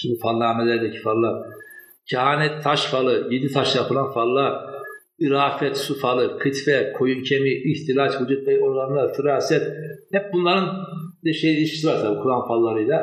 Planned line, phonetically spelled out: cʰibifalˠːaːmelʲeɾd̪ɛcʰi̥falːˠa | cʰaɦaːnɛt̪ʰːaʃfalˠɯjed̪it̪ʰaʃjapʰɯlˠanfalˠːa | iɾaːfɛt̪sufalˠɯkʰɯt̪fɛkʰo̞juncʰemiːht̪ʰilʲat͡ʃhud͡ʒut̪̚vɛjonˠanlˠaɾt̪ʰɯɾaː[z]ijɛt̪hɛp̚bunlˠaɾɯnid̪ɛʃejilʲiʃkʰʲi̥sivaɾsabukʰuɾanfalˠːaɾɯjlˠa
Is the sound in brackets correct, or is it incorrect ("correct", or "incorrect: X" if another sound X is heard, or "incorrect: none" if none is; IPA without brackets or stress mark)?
incorrect: s